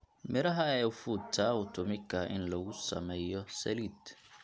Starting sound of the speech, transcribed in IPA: m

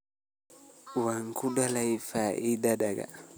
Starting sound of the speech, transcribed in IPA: w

